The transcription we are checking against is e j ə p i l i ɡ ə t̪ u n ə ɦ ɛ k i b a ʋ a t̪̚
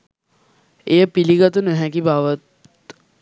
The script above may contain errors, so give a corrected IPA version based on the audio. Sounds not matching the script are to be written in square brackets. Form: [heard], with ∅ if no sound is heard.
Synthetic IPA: e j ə p i l i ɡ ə t̪ u n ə ɦ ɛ k i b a ʋ [ə] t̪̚